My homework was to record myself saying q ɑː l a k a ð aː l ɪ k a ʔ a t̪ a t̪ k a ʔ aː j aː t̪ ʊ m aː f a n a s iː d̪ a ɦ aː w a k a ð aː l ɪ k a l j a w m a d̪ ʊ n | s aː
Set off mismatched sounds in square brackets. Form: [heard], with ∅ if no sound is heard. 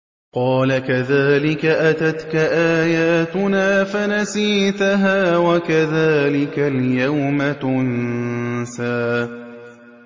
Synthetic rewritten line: q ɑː l a k a ð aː l ɪ k a ʔ a t̪ a t̪ k a ʔ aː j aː t̪ ʊ [n] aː f a n a s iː [t̪] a ɦ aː w a k a ð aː l ɪ k a l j a w m a [t̪] ʊ n | s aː